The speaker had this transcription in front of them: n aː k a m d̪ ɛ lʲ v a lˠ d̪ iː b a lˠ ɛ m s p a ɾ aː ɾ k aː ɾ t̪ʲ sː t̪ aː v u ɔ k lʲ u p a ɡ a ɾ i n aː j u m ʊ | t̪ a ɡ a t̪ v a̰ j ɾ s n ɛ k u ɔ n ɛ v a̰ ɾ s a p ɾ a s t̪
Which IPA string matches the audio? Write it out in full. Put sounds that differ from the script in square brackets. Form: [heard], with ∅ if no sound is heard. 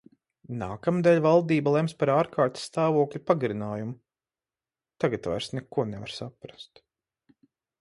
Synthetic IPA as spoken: n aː k a m d̪ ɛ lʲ v a lˠ d̪ iː b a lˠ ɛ m s p a ɾ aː ɾ k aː ɾ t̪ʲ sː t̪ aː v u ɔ k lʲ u p a ɡ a ɾ i n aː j u m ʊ | t̪ a ɡ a t̪ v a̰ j ɾ s n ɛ k u ɔ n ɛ v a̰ ɾ s a p ɾ a s t̪

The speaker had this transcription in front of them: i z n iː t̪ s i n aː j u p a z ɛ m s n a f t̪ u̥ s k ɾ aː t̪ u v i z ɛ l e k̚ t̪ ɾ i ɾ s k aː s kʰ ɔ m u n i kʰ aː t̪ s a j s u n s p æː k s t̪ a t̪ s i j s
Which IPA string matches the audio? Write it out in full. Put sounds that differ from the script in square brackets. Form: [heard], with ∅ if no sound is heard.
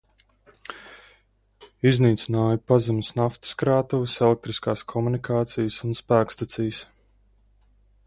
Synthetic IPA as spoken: i z n iː t̪ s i n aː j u p a z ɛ m s n a f t̪ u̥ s k ɾ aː t̪ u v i [s] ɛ l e k̚ t̪ ɾ i [∅] s k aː s kʰ ɔ m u n i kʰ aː t̪ s [i] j s u n s p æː k s t̪ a t̪ s i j s

